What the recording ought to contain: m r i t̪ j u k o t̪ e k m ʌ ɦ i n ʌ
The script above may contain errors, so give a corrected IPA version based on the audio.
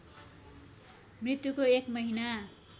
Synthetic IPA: m r i t̪ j u k o e k m ʌ ɦ i n a